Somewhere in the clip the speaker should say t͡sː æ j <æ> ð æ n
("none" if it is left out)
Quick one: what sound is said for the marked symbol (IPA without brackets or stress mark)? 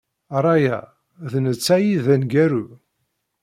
i